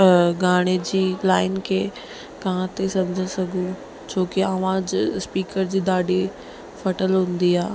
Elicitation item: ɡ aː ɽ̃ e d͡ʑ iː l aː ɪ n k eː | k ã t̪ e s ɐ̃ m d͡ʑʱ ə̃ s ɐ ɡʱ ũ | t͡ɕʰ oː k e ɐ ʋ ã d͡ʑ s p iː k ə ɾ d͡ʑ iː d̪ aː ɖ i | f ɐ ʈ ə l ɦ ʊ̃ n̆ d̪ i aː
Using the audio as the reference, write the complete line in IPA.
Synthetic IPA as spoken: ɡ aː ɽ̃ e d͡ʑ iː l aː ɪ n kʰ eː | k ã t̪ e s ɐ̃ m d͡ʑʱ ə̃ s ɐ ɡʱ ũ | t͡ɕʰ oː k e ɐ ʋ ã d͡ʑ s p iː k ə ɾ d͡ʑ iː d̪ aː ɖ i | f ɐ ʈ ə l ɦ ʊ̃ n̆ d̪ i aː